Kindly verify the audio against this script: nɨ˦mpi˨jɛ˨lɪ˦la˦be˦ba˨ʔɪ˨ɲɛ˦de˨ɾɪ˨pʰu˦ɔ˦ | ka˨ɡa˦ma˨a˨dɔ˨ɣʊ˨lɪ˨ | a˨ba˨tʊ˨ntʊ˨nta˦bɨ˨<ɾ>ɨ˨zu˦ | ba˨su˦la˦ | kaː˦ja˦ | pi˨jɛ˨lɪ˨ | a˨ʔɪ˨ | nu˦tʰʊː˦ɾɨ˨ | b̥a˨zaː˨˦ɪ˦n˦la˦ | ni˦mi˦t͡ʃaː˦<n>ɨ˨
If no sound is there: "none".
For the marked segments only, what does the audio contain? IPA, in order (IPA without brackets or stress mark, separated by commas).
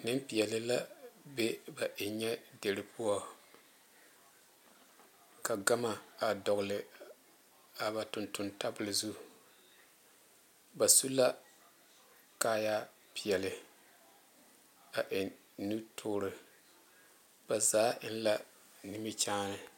l, n